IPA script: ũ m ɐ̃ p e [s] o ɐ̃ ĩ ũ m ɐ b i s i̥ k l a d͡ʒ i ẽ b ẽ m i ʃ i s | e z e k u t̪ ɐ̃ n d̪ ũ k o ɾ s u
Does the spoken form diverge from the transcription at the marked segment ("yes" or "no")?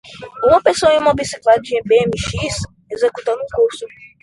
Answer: no